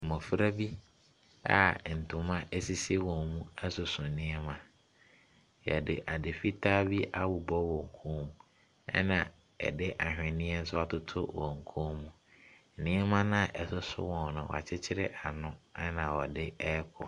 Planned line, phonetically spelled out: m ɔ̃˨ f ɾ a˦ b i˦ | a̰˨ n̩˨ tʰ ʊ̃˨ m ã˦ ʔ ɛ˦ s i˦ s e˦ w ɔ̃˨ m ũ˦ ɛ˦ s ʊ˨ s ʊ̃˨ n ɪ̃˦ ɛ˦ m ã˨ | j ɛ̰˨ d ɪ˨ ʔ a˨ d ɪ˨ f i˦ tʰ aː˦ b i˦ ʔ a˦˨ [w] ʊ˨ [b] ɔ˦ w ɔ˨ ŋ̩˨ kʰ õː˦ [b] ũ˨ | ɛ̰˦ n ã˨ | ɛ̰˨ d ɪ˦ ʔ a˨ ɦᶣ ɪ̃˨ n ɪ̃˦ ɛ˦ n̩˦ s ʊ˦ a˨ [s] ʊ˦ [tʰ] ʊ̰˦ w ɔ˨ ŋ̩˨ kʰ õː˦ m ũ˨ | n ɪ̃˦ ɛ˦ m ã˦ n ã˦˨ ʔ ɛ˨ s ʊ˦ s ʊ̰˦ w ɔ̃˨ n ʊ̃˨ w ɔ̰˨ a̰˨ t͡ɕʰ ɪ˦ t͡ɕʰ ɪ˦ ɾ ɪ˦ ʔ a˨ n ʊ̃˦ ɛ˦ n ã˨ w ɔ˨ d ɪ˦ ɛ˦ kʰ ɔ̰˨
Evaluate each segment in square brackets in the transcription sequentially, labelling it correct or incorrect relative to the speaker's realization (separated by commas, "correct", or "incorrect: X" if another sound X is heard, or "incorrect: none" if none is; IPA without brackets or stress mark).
correct, correct, incorrect: m, incorrect: t, correct